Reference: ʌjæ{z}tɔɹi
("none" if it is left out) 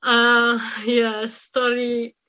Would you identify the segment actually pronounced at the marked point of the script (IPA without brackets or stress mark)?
s